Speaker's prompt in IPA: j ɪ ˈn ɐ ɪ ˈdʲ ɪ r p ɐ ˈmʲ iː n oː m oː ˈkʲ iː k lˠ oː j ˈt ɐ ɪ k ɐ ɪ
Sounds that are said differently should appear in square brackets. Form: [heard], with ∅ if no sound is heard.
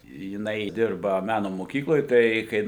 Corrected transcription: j ɪ ˈn ɐ ɪ ˈdʲ ɪ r [b] ɐ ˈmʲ [æː] n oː m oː ˈkʲ iː k lˠ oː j ˈt ɐ ɪ k ɐ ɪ